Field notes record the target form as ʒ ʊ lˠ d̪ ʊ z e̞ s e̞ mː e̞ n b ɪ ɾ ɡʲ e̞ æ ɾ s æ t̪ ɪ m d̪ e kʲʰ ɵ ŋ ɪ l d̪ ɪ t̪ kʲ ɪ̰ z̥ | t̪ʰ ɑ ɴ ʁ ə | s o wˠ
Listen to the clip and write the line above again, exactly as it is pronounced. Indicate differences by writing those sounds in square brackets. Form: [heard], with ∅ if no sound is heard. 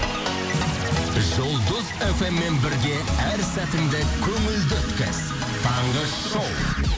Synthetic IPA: ʒ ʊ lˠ d̪ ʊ z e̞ [f] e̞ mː e̞ n b ɪ ɾ ɡʲ e̞ æ ɾ s æ t̪ ɪ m d̪ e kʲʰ ɵ ŋ ɪ l d̪ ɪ t̪ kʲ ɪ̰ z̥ | t̪ʰ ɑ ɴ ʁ ə | [ʃ] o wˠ